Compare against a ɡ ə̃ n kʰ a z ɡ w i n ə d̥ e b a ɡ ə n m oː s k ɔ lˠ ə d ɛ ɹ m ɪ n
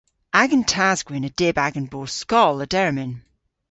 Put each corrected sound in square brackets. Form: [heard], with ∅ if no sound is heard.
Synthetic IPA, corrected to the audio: a ɡ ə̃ n [tʰ] a z ɡ w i n ə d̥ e b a ɡ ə n [b] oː s k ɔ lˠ ə d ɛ ɹ m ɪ n

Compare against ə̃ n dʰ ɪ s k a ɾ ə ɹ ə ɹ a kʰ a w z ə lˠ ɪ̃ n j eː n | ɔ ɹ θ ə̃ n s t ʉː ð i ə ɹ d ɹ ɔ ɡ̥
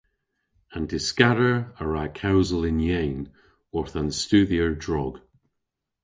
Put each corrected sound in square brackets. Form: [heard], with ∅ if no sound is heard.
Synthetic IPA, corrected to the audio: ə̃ n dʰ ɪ s k a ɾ ə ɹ ə ɹ a kʰ a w z ə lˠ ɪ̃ n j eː n | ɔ ɹ θ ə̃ n s t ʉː ð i ə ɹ d ɹ ɔ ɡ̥

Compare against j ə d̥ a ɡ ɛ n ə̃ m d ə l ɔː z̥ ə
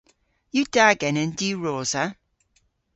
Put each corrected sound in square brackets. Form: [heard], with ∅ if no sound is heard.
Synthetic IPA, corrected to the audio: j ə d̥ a ɡ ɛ n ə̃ [n] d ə [ɹ] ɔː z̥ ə

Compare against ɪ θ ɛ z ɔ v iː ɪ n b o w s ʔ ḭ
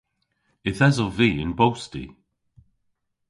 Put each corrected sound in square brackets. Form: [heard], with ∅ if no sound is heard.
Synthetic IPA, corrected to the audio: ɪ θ ɛ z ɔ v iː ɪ n b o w s [t] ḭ

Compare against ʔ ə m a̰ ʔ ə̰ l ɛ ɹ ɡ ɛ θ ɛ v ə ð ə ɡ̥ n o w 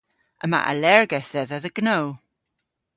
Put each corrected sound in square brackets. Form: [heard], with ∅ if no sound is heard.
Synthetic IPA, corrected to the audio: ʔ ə m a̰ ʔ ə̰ l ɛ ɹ ɡ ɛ θ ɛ [ð] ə ð ə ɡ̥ n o w

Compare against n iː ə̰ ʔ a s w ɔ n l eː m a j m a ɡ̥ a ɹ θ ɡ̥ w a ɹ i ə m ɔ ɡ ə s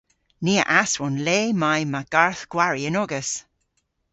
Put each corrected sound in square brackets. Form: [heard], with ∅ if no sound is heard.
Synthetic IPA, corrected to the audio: n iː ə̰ ʔ a s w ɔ n l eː m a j m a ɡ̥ a ɹ θ ɡ̥ w a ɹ i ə [n] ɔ ɡ ə s

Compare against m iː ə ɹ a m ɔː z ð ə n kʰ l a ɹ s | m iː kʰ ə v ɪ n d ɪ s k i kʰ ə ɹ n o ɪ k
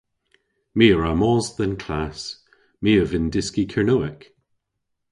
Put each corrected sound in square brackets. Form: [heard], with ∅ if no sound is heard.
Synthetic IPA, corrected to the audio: m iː ə ɹ a m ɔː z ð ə n kʰ l a [∅] s | m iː [∅] ə v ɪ n d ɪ s k i kʰ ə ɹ n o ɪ k

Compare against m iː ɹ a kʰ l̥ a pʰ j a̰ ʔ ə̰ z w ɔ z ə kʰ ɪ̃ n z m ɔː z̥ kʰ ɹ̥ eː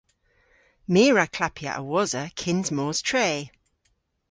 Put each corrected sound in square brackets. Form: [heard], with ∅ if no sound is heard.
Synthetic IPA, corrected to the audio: m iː ɹ a kʰ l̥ a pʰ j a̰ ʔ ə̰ [∅] w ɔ z ə kʰ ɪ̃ n z m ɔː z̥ [tʰ] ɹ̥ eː

